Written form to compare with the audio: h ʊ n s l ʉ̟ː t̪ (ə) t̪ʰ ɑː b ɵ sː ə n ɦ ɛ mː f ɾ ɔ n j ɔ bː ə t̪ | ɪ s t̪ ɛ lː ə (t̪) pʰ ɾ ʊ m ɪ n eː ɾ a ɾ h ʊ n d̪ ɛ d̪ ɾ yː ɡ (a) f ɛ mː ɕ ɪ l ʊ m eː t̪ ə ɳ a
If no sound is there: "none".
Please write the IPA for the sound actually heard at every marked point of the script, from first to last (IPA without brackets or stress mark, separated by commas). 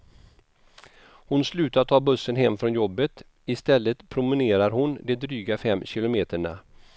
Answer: a, t̪, a